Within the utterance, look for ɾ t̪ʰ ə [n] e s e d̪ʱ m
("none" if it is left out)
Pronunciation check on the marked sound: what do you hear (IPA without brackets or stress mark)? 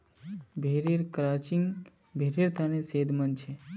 n